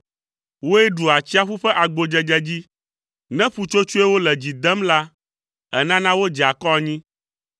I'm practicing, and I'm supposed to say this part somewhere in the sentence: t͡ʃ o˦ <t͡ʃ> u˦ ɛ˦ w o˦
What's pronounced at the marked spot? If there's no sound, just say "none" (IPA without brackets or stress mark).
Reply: t͡ʃ